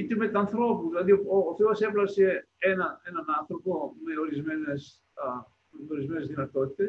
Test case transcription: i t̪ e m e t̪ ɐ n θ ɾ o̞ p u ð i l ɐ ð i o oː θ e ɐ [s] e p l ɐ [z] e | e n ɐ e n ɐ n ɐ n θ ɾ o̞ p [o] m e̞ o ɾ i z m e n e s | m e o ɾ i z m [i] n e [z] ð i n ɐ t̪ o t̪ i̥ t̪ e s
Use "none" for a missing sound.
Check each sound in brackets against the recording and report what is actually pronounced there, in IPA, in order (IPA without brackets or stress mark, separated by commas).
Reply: s, s, o, e, z